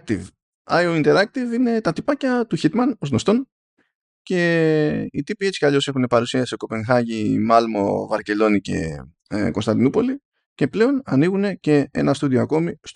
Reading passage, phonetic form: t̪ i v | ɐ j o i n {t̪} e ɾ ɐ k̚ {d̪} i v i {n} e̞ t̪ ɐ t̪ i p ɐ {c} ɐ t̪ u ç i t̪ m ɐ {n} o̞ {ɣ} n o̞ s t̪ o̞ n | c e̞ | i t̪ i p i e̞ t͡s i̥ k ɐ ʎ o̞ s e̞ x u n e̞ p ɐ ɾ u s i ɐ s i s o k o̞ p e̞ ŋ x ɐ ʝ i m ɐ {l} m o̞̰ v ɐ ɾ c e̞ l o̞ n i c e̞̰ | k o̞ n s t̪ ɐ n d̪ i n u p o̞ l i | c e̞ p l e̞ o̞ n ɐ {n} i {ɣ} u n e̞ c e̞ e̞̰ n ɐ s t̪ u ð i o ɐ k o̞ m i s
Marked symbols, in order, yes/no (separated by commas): yes, no, yes, yes, yes, no, yes, yes, yes